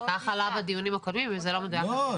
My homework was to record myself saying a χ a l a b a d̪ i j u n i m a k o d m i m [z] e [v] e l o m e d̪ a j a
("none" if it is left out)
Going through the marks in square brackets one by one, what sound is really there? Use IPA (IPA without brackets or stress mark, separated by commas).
v, z